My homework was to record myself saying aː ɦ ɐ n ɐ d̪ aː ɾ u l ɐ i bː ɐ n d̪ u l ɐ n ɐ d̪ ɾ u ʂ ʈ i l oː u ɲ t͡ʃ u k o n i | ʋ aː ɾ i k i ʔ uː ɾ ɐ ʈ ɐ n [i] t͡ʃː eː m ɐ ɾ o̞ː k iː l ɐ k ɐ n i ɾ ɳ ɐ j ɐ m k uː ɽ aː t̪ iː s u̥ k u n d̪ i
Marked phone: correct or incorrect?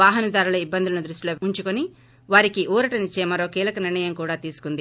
correct